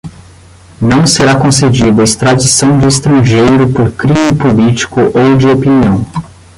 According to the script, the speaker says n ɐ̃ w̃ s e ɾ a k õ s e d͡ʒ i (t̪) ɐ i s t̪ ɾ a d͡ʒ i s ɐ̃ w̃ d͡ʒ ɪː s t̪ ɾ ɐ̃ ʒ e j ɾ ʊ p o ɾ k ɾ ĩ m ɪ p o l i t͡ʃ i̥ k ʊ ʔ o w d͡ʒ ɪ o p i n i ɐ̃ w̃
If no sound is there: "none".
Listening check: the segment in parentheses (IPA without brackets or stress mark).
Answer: d̪